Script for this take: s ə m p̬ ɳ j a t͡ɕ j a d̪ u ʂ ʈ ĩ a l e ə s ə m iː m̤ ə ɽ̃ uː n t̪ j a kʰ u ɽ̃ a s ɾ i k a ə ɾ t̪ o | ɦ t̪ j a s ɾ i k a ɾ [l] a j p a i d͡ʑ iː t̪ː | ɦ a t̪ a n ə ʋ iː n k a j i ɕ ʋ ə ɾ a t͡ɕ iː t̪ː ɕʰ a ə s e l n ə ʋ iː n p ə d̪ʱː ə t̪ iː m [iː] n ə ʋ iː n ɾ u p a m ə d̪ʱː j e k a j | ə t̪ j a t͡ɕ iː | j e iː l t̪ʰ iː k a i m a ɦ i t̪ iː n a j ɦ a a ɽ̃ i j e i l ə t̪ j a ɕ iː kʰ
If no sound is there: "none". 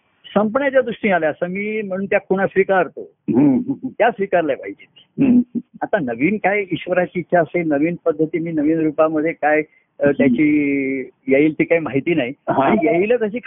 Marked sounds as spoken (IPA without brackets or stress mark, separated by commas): l, iː